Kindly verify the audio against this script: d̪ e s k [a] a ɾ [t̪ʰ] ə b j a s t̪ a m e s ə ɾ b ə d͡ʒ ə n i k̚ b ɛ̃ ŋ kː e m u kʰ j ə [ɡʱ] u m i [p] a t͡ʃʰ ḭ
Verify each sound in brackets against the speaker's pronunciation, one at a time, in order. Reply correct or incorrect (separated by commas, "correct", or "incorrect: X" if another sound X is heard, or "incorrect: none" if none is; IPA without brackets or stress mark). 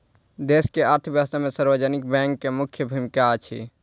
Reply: incorrect: e, correct, incorrect: bʱ, incorrect: k